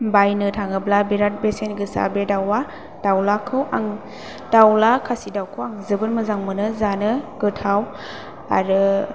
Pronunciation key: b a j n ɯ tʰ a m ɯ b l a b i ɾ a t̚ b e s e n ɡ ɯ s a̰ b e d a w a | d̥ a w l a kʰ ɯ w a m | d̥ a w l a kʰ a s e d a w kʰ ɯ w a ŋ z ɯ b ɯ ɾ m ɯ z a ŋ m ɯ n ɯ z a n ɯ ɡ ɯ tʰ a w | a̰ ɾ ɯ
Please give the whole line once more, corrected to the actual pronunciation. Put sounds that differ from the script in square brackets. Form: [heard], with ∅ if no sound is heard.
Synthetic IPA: b a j n ɯ tʰ a [ŋ] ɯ b l a b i ɾ a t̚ b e s e n ɡ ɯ s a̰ b e d a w a | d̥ a w l a kʰ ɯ w a [ŋ] | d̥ a w l a kʰ a s [i] d a w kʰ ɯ w a ŋ z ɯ b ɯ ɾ m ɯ z a ŋ m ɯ n ɯ z a n ɯ ɡ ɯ tʰ a w | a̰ ɾ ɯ